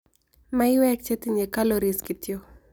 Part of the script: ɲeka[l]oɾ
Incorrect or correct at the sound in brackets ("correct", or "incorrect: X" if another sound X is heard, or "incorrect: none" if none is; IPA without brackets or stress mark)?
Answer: correct